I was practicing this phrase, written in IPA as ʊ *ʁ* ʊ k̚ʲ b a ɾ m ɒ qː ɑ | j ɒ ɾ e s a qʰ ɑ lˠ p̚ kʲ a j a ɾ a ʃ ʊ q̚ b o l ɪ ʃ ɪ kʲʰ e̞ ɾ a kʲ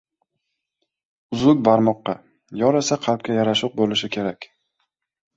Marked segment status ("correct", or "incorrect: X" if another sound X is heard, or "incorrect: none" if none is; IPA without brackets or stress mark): incorrect: z